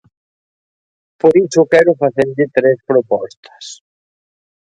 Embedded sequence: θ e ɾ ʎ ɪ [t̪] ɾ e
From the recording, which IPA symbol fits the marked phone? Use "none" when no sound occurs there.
t̪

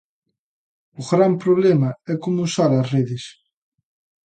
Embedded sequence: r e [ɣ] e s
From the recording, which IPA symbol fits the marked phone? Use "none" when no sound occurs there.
ð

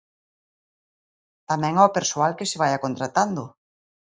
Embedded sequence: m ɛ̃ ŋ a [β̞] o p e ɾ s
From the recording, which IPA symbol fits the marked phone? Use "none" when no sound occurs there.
none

